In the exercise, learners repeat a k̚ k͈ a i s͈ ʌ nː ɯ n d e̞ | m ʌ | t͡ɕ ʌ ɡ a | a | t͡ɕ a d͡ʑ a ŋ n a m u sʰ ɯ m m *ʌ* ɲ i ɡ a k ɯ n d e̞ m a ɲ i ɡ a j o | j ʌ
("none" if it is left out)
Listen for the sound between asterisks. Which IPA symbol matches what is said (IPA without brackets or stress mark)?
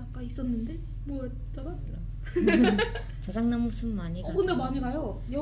a